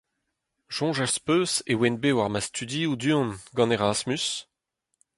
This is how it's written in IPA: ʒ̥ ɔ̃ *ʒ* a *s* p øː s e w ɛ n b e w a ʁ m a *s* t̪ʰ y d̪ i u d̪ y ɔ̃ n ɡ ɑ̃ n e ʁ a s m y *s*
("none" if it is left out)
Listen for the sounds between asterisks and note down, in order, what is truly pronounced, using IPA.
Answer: ʒ, s, s, s

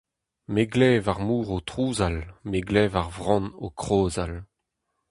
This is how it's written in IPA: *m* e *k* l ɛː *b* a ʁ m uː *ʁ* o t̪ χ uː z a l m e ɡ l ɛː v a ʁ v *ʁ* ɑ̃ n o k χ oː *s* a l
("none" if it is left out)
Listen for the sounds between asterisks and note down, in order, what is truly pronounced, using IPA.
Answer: m, ɡ, v, ʁ, ʁ, z

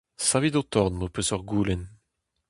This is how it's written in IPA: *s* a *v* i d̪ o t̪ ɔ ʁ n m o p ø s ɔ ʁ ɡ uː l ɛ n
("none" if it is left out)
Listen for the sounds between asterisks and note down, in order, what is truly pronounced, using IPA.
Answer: s, v

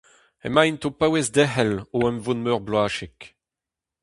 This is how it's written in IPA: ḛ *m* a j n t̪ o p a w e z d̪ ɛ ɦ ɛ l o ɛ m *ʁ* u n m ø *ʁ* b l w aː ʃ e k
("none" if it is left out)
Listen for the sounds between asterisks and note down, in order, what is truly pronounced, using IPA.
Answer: m, v, ʁ

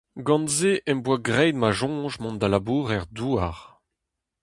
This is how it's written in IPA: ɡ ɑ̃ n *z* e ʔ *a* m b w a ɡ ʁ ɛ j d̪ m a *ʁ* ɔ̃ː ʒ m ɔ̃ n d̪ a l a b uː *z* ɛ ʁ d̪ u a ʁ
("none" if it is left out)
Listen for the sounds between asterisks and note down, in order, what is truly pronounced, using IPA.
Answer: z, ɛ, ʒ, ʁ

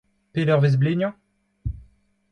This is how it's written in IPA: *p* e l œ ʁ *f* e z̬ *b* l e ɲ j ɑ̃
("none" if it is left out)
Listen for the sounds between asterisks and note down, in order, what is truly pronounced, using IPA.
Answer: p, v, b

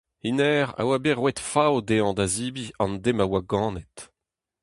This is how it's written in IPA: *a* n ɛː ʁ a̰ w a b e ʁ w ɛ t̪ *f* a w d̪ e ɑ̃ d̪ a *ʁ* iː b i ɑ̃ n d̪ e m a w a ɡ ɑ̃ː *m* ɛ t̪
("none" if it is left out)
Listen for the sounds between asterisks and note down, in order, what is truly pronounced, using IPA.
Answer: i, f, z, n

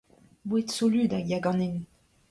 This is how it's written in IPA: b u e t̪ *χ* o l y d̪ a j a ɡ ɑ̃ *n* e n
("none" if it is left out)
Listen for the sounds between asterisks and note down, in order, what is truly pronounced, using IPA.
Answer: s, n

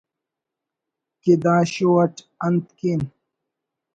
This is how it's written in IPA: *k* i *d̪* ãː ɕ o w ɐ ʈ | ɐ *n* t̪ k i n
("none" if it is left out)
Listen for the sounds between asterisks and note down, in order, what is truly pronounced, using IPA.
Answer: k, d̪, n

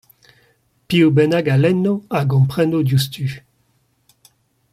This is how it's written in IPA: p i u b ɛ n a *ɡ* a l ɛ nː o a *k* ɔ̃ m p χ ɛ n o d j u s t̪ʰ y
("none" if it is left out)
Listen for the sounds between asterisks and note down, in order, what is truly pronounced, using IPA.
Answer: ɡ, ɡ

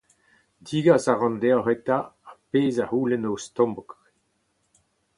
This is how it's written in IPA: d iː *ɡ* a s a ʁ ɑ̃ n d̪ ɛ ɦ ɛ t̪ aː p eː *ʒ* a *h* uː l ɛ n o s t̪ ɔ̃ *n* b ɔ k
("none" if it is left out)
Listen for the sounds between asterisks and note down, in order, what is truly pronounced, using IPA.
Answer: ɡ, z, h, m

